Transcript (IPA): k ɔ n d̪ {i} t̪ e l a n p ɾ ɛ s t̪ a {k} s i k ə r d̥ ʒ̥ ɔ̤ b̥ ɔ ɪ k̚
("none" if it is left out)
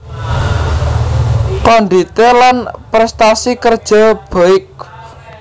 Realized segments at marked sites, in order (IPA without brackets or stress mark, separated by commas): i, none